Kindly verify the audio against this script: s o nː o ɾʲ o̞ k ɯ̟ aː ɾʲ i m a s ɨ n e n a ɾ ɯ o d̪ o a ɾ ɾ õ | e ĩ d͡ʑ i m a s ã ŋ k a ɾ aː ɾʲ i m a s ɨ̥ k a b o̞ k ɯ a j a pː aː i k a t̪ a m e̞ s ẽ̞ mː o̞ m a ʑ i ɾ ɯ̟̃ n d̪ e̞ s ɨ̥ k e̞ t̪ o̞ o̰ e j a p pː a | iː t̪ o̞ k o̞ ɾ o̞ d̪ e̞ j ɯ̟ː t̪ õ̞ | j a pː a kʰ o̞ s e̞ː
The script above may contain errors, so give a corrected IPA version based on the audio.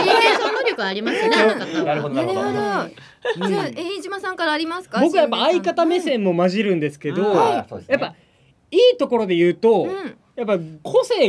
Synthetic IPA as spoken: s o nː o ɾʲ o̞ k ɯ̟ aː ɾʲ i m a s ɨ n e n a ɾ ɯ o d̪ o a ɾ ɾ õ | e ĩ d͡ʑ i m a s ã ŋ k a ɾ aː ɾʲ i m a s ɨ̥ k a b o̞ k ɯ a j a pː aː i k a t̪ a m e̞ s ẽ̞ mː o̞ m a ʑ i ɾ ɯ̟̃ n d̪ e̞ s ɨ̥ k e̞ d̪ o̞ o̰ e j a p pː a | iː t̪ o̞ k o̞ ɾ o̞ d̪ e̞ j ɯ̟ː t̪ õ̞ | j a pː a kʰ o̞ s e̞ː